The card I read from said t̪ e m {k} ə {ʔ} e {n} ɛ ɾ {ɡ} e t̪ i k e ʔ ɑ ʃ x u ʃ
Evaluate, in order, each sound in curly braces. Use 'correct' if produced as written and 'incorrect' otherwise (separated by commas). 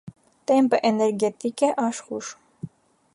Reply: incorrect, correct, correct, correct